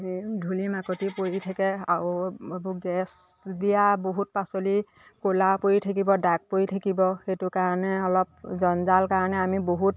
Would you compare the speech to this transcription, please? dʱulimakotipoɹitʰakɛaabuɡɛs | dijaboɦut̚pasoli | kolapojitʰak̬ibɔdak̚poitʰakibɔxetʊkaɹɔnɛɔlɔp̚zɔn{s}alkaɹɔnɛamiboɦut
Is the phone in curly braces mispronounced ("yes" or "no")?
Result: yes